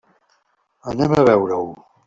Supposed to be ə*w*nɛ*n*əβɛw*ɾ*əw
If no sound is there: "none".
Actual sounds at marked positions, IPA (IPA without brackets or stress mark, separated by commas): none, m, ɾ